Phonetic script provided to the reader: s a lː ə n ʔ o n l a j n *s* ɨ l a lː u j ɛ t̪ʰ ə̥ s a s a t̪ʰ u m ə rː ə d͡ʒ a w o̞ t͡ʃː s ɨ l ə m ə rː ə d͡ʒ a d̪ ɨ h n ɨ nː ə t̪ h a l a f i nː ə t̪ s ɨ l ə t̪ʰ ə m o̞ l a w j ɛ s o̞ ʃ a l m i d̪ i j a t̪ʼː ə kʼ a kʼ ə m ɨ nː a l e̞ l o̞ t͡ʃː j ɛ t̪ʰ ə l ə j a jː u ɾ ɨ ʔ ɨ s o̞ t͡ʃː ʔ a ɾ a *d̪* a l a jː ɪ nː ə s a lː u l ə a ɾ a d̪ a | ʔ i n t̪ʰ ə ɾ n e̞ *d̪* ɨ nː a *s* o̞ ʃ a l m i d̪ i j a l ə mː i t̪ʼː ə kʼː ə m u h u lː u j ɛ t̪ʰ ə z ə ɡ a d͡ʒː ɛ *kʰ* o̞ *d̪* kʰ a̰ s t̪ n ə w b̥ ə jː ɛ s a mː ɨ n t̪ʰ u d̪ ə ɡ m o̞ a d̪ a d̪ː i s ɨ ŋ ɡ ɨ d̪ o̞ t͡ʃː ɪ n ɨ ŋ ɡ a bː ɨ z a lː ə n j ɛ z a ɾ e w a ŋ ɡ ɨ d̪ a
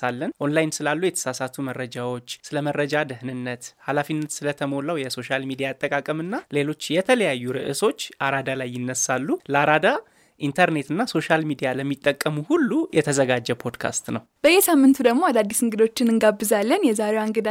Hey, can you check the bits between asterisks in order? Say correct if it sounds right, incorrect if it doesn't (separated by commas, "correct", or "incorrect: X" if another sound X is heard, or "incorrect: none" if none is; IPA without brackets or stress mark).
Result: correct, correct, incorrect: t̪, correct, incorrect: pʰ, correct